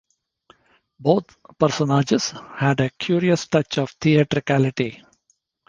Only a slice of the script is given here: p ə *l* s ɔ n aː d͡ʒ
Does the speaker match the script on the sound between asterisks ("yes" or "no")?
no